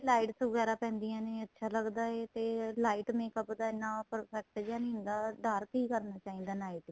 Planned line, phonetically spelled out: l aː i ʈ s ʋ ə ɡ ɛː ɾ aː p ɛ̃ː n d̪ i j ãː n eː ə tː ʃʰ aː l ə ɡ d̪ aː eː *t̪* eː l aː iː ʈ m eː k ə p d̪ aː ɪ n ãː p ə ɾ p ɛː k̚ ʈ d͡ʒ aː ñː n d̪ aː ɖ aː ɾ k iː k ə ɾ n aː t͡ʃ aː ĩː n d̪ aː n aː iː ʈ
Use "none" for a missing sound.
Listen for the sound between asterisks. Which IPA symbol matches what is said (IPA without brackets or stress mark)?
t̪